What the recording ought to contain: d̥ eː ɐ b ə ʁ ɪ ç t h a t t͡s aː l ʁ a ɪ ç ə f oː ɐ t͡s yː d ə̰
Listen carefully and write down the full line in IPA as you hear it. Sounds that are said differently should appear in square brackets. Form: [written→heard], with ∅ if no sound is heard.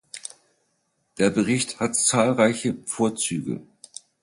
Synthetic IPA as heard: d̥ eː ɐ b ə ʁ ɪ ç t h a t t͡s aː l ʁ a ɪ ç ə f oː ɐ t͡s yː [d→ɡ] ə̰